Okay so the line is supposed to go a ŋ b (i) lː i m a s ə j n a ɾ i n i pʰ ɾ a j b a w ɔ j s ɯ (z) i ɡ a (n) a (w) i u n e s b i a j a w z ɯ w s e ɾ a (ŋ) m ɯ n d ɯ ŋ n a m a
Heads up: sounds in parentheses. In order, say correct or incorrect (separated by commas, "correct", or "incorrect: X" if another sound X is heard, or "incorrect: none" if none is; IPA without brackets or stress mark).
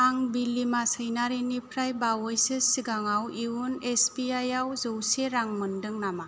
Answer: correct, incorrect: s, incorrect: ŋ, correct, correct